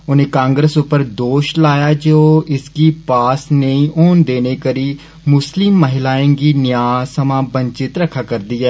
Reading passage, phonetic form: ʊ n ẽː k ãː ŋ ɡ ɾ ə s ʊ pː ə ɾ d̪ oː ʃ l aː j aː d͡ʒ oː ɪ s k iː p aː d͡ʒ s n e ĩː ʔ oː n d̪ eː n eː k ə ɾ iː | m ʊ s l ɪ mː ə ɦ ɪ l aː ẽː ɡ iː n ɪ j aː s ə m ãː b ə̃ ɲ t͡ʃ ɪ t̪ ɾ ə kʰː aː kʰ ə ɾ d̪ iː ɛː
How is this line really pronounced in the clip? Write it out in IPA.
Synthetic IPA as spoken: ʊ n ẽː k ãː ŋ ɡ ɾ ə s ʊ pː ə ɾ d̪ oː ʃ l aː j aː d͡ʒ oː ɪ s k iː p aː s n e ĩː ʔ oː n d̪ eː n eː k ə ɾ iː | m ʊ s l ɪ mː ə ɦ ɪ l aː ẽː ɡ iː n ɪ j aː s ə m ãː b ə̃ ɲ t͡ʃ ɪ t̪ ɾ ə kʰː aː k ə ɾ d̪ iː ɛː